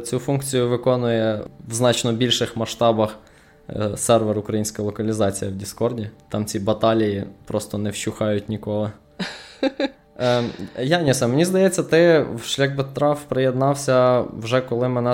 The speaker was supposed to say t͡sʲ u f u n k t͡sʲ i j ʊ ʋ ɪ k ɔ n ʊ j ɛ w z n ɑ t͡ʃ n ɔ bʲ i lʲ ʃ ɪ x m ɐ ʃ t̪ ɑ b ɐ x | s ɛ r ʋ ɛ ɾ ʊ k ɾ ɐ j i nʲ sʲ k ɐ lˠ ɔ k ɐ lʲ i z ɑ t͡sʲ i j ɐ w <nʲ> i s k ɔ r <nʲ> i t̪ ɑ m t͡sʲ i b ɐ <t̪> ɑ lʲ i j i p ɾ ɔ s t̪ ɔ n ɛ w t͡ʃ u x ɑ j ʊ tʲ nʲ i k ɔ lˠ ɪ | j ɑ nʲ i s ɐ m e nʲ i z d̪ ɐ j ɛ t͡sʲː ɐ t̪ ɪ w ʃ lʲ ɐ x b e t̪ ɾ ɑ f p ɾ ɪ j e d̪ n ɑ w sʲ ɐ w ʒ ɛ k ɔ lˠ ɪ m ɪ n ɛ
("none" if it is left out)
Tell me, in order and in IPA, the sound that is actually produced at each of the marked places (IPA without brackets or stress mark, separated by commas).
dʲ, dʲ, t̪